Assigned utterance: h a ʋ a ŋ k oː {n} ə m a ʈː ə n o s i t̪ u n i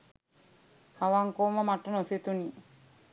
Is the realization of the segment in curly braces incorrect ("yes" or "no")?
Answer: yes